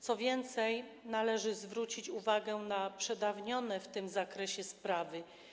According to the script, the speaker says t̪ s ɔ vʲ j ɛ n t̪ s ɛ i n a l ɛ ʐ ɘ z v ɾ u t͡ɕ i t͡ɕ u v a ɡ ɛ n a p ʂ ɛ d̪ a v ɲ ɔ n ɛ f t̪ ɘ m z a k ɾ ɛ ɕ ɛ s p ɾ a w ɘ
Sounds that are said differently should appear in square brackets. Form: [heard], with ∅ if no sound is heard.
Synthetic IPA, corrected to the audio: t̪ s ɔ vʲ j ɛ n t̪ s ɛ [j] n a l ɛ ʐ ɘ z v ɾ u t͡ɕ i t͡ɕ u v a ɡ ɛ n a p ʂ ɛ d̪ a v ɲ ɔ n ɛ f t̪ ɘ m z a k ɾ ɛ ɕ ɛ s p ɾ a [v] ɘ